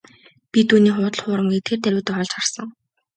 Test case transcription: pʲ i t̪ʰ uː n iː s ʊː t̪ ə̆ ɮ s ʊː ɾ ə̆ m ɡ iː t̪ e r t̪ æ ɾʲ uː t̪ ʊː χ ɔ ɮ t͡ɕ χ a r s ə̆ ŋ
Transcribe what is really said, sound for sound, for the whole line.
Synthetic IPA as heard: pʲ i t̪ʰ uː n iː χ ʊː t̪ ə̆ ɮ χ ʊː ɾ ə̆ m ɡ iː t̪ʰ e r t̪ æ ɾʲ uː t̪ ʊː χ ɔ ɮ t͡ɕ χ a r s ə̆ ŋ